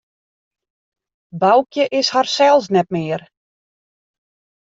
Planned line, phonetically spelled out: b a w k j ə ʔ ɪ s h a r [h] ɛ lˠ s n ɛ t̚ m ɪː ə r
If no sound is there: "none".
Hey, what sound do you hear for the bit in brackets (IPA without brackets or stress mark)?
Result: s